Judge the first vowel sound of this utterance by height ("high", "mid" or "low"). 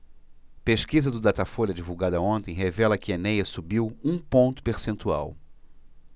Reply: mid